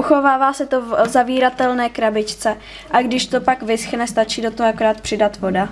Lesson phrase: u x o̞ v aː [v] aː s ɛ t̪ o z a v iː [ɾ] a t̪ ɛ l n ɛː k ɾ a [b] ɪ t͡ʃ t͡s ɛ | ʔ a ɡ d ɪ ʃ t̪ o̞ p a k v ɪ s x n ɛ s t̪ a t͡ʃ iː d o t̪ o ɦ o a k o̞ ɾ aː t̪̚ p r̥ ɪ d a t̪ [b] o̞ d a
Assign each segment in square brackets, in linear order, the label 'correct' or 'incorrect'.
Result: correct, correct, correct, incorrect: v

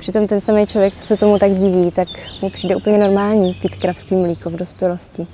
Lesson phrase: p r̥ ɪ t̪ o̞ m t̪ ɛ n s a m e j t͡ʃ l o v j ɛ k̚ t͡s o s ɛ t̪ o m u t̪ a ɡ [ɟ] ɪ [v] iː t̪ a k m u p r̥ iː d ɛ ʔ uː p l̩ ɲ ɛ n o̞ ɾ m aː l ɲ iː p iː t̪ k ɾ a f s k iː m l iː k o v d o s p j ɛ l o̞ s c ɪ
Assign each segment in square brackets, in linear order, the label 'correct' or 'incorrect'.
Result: correct, correct

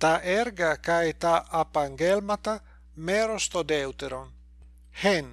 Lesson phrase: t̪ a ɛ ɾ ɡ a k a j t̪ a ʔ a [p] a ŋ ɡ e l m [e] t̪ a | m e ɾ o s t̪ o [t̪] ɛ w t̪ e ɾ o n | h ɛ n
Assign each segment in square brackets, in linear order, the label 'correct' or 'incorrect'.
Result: correct, incorrect: a, incorrect: d̪

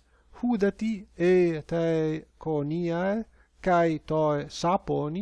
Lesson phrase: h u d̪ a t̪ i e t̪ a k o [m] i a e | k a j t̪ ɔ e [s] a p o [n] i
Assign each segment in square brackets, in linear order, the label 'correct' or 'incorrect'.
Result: incorrect: n, correct, correct

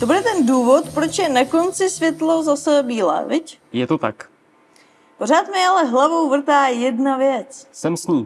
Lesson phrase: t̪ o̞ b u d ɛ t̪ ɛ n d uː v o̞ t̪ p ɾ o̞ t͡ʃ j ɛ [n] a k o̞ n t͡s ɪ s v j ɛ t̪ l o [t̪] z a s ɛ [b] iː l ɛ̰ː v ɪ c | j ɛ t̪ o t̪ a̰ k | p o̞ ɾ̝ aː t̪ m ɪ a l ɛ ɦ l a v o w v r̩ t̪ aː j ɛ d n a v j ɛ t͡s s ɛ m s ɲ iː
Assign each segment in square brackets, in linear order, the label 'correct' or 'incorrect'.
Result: correct, incorrect: none, correct

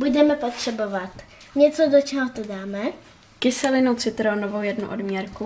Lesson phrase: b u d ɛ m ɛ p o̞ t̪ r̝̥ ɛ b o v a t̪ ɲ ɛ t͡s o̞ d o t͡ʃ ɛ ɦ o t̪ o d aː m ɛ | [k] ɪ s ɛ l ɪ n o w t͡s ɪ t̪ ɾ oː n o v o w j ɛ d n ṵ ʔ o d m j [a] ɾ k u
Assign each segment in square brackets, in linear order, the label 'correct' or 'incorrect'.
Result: correct, incorrect: ɛ

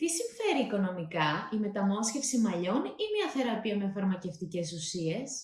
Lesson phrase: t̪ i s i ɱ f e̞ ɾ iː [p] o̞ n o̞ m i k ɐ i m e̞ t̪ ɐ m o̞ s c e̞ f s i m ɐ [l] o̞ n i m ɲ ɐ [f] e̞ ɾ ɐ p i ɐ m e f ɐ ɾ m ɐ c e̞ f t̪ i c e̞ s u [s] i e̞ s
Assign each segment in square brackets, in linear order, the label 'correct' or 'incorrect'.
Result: incorrect: k, incorrect: ʎ, incorrect: θ, correct

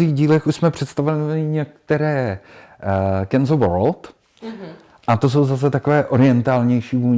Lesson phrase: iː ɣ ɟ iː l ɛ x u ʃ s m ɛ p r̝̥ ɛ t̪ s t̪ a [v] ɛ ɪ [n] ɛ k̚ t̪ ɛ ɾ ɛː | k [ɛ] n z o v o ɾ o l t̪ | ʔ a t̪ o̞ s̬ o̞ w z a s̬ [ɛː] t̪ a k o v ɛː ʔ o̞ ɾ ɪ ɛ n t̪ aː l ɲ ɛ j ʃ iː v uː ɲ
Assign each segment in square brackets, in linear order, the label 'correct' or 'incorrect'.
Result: correct, incorrect: ɲ, correct, incorrect: ɛ

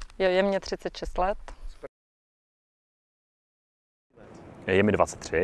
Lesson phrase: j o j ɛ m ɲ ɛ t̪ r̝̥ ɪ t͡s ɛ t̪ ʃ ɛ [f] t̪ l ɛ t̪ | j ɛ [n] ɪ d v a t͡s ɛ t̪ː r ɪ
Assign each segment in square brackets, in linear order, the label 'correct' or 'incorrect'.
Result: incorrect: s, incorrect: m

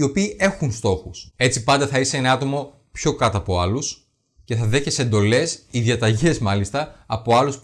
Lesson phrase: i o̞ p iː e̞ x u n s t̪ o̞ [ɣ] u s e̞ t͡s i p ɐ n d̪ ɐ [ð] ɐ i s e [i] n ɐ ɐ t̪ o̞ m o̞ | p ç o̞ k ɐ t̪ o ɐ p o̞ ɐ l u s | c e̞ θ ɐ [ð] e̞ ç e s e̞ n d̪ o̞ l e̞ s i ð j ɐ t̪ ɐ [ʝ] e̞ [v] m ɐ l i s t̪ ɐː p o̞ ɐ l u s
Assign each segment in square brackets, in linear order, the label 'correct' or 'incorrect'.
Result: incorrect: x, incorrect: θ, incorrect: e, correct, correct, incorrect: z

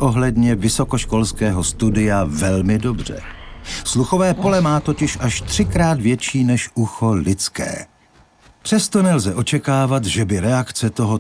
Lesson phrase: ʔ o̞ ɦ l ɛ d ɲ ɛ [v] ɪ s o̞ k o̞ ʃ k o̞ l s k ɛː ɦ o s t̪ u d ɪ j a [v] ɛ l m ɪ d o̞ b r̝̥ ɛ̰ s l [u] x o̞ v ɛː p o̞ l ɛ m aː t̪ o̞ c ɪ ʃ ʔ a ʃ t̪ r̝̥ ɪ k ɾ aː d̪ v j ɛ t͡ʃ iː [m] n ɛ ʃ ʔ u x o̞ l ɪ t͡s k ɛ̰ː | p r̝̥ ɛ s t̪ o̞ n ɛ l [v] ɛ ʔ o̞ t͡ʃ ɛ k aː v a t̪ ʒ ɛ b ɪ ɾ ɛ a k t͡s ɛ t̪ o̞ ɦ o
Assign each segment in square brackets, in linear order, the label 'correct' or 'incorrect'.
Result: correct, correct, correct, incorrect: none, incorrect: z

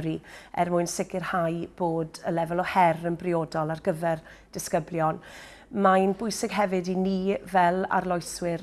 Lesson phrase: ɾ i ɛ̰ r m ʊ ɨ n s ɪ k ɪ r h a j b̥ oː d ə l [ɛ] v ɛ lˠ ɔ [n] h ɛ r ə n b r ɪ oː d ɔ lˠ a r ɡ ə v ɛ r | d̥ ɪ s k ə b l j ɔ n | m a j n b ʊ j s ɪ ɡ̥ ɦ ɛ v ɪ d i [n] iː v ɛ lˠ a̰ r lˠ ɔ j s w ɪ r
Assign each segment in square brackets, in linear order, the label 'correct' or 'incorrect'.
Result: correct, incorrect: none, correct

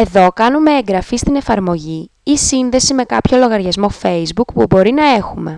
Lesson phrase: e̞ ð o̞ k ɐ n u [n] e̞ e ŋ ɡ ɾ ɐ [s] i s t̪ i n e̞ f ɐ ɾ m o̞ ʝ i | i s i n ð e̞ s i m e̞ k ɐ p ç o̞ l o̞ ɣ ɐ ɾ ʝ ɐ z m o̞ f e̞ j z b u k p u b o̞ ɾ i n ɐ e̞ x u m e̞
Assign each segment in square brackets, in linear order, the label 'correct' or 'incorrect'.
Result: incorrect: m, incorrect: f

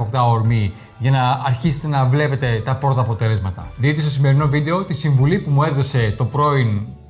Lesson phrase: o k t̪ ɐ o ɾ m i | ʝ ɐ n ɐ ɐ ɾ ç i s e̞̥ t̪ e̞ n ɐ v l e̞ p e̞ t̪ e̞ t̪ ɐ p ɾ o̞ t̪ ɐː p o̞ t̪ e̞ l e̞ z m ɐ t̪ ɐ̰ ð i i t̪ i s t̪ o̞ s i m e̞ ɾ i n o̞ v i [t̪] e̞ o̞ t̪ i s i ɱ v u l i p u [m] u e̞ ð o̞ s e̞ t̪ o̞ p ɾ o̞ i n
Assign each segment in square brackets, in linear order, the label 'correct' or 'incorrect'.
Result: incorrect: d̪, correct

